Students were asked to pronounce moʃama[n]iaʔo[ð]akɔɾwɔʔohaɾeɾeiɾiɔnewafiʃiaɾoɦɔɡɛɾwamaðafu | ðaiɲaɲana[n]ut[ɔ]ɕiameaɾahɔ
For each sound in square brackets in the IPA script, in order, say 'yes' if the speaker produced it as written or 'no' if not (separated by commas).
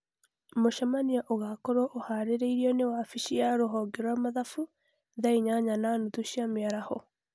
yes, no, yes, no